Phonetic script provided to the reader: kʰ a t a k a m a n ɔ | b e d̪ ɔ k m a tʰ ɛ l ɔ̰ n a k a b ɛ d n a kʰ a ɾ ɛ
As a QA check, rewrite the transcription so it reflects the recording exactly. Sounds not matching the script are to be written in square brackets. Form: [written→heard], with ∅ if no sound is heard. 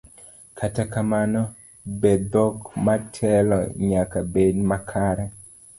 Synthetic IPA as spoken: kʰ a t a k a m a n ɔ | b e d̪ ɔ k m a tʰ ɛ l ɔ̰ [n→ɲ] a k a b [ɛ→e] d [n→m] a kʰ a ɾ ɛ